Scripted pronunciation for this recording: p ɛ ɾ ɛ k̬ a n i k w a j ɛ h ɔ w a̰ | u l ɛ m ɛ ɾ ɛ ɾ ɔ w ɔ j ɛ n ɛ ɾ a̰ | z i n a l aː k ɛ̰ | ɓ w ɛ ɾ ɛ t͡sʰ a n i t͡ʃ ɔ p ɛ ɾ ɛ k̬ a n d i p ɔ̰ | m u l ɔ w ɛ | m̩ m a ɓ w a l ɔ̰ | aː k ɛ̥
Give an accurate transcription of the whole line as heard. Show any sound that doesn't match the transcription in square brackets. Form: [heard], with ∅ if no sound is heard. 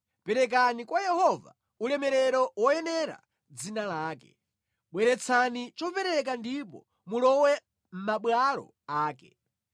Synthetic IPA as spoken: p ɛ ɾ ɛ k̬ a n i k w a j ɛ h ɔ [v] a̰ | u l ɛ m ɛ ɾ ɛ ɾ ɔ w ɔ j ɛ n ɛ ɾ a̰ | [d͡z] i n a l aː k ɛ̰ | ɓ w ɛ ɾ ɛ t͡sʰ a n i t͡ʃ ɔ p ɛ ɾ ɛ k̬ a n d i p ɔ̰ | m u l ɔ w ɛ | m̩ m a ɓ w a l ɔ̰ | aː k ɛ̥